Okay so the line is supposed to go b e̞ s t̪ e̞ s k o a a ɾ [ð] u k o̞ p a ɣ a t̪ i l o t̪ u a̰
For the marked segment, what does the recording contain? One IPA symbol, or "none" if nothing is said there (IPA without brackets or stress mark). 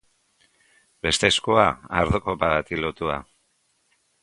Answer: ð